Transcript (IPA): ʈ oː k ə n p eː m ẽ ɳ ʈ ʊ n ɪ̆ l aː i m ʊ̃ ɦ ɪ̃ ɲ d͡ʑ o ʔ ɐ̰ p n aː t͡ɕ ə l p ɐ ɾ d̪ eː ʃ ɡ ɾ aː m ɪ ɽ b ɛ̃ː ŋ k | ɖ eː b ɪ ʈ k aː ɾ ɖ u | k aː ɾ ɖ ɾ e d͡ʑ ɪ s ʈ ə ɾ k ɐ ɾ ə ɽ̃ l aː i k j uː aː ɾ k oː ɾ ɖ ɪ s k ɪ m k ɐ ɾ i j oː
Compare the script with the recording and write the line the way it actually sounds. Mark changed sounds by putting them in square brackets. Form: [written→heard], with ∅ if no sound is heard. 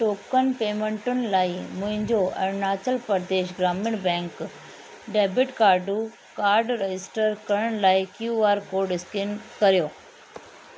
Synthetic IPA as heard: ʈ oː k ə n p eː m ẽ ɳ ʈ ʊ n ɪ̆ l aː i m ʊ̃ ɦ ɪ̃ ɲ d͡ʑ o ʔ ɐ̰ [p→∅] n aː t͡ɕ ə l p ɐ ɾ d̪ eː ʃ ɡ ɾ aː m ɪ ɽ b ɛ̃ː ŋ k | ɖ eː b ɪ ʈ k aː ɾ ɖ u | k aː ɾ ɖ ɾ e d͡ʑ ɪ s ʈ ə ɾ k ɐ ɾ ə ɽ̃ l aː i k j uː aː ɾ k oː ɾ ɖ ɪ s k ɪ [m→n] k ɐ ɾ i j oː

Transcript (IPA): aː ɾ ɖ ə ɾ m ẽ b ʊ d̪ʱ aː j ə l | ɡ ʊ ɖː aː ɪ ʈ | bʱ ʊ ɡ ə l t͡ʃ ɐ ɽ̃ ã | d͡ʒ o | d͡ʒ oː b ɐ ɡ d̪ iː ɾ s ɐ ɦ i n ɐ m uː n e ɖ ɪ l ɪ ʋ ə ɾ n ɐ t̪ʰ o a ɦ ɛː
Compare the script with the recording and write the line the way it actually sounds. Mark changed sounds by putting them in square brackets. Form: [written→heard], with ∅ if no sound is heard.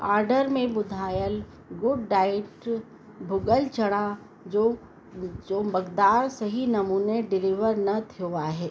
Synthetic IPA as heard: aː ɾ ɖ ə ɾ m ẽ b ʊ d̪ʱ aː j ə l | ɡ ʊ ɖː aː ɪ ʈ | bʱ ʊ ɡ ə l t͡ʃ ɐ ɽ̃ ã | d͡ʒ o | d͡ʒ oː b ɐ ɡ d̪ [iː→aː] ɾ s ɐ ɦ i n ɐ m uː n e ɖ ɪ l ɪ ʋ ə ɾ n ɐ t̪ʰ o a ɦ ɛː

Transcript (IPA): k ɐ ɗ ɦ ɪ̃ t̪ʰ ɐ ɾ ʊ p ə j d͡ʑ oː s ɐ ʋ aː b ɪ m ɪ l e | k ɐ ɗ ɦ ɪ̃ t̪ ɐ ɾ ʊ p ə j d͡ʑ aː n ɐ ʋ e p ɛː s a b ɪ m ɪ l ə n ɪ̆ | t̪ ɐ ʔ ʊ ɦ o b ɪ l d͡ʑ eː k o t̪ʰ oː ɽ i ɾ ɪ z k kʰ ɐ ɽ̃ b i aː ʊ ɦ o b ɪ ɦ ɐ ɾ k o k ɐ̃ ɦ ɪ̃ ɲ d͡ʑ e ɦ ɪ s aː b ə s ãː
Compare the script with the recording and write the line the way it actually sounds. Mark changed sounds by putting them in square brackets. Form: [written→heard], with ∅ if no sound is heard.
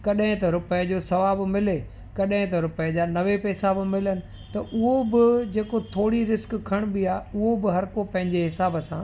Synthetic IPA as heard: k ɐ ɗ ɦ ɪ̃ [t̪ʰ→t̪] ɐ ɾ ʊ p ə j d͡ʑ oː s ɐ ʋ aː b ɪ m ɪ l e | k ɐ ɗ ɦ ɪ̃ t̪ ɐ ɾ ʊ p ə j d͡ʑ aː n ɐ ʋ e p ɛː s a b ɪ m ɪ l ə n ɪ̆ | t̪ ɐ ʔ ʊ ɦ o b ɪ [l→∅] d͡ʑ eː k o t̪ʰ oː ɽ i ɾ ɪ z k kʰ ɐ ɽ̃ b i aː ʊ ɦ o b ɪ ɦ ɐ ɾ k o [k→p] ɐ̃ ɦ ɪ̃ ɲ d͡ʑ e ɦ ɪ s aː b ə s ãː

